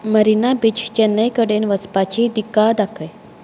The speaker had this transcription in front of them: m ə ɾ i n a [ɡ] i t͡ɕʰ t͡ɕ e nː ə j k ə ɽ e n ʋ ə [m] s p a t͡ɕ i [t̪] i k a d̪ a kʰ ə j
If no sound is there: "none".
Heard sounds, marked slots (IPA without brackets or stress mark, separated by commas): b, none, d̪